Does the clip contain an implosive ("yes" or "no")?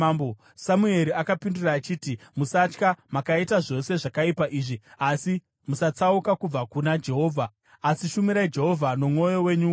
no